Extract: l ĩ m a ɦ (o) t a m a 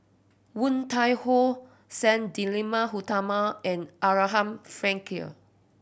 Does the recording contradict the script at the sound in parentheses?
yes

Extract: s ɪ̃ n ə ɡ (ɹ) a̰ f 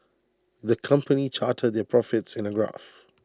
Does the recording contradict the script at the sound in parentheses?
no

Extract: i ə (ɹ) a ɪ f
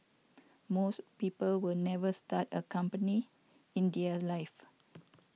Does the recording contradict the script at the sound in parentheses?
yes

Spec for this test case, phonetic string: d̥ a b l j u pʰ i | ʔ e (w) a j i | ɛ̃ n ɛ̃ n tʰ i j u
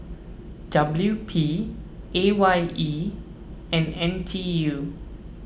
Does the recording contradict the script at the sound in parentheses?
no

